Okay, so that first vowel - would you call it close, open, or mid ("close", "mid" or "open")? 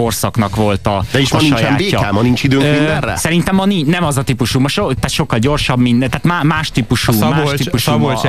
mid